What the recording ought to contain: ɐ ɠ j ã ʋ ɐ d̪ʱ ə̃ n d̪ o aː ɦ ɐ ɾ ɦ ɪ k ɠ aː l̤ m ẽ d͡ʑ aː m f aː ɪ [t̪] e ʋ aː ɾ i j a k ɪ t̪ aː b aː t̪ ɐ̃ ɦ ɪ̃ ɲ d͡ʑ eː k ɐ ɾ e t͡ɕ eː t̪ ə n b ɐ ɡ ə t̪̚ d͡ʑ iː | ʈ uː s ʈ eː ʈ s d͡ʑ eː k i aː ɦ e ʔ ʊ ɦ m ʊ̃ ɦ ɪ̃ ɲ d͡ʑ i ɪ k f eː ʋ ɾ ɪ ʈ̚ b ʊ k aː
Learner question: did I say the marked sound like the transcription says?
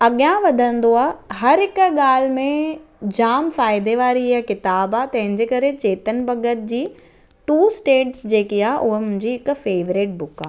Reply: no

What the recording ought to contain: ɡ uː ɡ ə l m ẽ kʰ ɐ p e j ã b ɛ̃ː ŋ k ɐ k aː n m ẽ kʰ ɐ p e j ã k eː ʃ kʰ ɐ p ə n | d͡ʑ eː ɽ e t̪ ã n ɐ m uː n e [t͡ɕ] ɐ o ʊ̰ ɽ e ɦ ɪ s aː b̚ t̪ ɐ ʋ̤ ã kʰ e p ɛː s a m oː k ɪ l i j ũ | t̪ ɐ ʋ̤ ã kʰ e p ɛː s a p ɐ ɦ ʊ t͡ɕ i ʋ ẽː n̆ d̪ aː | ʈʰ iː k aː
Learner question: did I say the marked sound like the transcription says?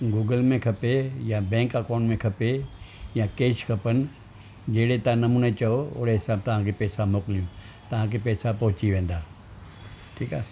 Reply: yes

